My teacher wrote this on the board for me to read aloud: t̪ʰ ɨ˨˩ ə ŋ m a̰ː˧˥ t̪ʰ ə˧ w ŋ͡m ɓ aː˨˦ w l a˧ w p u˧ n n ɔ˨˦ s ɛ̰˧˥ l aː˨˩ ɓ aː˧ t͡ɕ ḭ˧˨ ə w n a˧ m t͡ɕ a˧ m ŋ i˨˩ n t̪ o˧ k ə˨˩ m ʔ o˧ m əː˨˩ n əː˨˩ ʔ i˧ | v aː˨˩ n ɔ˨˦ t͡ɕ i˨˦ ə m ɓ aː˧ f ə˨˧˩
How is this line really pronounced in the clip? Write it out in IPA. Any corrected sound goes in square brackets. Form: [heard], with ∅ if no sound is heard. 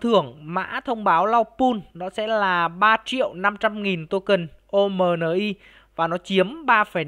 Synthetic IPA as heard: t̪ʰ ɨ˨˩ ə ŋ m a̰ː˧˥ t̪ʰ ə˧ w ŋ͡m ɓ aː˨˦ w l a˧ w p u˧ n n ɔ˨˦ s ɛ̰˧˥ l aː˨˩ ɓ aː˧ t͡ɕ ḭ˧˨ ə w n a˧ m t͡ɕ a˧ m ŋ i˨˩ n t̪ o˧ k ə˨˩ [n] ʔ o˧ m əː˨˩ n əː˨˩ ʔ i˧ | v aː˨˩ n ɔ˨˦ t͡ɕ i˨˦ ə m ɓ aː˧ f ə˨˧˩